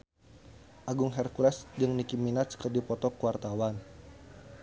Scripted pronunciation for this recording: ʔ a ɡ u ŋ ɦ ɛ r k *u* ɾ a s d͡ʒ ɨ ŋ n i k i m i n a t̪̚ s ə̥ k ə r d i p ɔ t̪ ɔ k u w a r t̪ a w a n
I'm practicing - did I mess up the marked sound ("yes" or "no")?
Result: no